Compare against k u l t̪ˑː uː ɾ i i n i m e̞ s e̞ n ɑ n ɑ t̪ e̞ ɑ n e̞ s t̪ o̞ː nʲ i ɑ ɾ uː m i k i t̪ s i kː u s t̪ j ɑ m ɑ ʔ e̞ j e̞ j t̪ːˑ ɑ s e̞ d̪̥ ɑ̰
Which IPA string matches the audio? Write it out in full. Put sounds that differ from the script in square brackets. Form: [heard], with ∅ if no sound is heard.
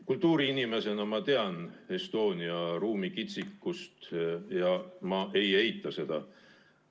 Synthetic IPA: k u l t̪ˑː uː ɾ i i n i m e̞ s e̞ n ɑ [m] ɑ t̪ e̞ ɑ n e̞ s t̪ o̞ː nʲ i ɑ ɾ uː m i k i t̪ s i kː u s t̪ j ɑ m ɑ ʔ e̞ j e̞ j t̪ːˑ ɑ s e̞ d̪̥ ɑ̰